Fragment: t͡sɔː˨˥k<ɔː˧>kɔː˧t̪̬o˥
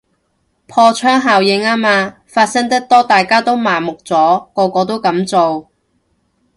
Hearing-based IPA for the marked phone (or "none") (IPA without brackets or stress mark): ɔː˧